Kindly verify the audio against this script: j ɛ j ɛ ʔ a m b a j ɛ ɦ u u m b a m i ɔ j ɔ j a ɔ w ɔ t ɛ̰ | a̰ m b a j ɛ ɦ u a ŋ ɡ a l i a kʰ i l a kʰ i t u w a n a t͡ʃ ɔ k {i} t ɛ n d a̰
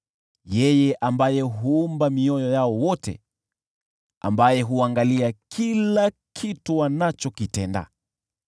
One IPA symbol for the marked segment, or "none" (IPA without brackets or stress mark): i